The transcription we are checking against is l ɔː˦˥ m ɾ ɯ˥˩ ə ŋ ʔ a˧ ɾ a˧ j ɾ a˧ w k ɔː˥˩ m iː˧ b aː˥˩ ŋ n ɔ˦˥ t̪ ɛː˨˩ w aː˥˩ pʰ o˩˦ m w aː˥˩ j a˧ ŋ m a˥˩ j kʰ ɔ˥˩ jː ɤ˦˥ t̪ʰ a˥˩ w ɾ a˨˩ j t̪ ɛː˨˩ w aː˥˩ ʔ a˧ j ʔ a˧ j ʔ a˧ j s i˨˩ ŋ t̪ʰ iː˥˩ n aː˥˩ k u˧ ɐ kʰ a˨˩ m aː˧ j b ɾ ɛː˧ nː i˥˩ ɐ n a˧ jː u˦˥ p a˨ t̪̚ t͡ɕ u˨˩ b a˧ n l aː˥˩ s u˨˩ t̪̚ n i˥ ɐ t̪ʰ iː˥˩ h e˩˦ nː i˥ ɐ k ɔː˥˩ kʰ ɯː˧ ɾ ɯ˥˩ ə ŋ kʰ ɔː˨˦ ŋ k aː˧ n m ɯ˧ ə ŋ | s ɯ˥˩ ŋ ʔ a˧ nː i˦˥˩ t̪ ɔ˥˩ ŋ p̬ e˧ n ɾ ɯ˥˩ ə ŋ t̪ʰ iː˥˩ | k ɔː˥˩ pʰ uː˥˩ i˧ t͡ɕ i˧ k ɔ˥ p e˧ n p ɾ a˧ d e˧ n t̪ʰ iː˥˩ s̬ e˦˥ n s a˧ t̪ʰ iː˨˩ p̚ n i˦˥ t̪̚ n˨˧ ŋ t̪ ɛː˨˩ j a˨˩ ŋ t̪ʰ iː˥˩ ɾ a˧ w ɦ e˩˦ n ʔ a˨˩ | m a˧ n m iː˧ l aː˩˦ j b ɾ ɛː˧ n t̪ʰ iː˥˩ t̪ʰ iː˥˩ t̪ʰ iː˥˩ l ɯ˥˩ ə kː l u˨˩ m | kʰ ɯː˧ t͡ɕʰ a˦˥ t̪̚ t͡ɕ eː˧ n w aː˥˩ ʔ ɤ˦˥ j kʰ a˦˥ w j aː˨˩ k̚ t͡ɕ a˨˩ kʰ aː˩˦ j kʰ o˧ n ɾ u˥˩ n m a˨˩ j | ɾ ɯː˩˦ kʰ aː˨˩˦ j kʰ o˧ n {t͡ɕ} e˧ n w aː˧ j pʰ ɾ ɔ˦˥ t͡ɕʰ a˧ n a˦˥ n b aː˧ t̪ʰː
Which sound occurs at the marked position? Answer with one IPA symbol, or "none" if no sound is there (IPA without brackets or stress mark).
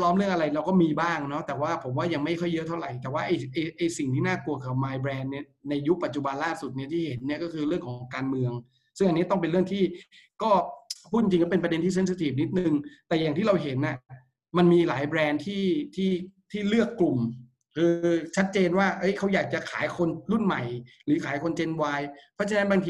t͡ɕ